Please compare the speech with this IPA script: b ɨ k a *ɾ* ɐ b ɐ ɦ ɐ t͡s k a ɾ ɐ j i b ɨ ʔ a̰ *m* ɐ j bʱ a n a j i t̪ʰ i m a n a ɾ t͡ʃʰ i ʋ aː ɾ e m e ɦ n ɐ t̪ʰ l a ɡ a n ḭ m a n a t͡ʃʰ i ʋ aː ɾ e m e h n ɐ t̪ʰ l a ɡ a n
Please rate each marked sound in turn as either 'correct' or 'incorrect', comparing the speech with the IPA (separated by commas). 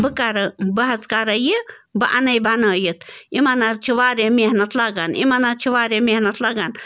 correct, incorrect